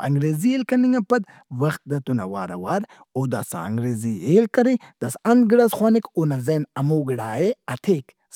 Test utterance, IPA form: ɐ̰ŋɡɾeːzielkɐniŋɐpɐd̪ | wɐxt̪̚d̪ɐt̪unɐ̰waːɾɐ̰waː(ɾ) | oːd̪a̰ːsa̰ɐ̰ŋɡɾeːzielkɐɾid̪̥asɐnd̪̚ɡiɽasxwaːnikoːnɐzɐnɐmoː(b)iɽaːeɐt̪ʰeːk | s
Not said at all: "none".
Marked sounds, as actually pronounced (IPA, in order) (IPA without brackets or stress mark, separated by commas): ɾ, ɡ